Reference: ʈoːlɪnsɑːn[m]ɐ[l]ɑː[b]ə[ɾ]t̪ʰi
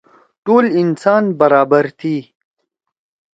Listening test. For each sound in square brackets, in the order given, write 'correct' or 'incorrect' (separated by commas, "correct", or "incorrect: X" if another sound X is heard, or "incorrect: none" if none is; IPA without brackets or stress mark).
incorrect: b, incorrect: ɾ, correct, correct